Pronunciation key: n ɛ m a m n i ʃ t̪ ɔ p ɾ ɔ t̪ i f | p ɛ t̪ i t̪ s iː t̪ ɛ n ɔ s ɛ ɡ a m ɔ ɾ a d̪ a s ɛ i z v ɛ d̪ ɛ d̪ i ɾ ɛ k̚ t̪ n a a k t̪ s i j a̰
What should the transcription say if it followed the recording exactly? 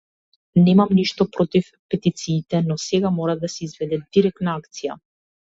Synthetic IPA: n ɛ m a m n i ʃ t̪ ɔ p ɾ ɔ t̪ i f | p ɛ t̪ i t̪ s iː t̪ ɛ n ɔ s ɛ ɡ a m ɔ ɾ a d̪ a s ɛ i z v ɛ d̪ ɛ d̪ i ɾ ɛ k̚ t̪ n a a k t̪ s i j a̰